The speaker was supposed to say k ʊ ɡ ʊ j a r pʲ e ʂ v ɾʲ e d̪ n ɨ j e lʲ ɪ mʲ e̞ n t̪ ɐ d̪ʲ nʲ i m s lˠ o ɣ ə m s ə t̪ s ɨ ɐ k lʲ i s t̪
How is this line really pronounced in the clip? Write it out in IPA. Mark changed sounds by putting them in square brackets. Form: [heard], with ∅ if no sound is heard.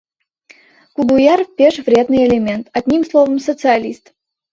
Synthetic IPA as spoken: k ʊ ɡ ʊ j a r pʲ e ʂ v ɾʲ e d̪ n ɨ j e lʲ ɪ mʲ e̞ n t̪ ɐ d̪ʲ nʲ i m s lˠ o [v] ə m s ə t̪ s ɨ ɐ [∅] lʲ i s t̪